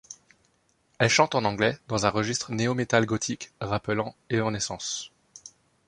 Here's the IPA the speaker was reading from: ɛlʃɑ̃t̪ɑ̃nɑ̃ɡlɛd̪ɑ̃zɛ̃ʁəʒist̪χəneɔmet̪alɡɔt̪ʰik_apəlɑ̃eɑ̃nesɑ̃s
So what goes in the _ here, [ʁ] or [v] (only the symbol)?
ʁ